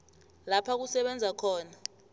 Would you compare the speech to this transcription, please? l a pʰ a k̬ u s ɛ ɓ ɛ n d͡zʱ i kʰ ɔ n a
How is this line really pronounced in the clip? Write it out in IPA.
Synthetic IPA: l a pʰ a k̬ u s ɛ ɓ ɛ n d͡zʱ a kʰ ɔː n a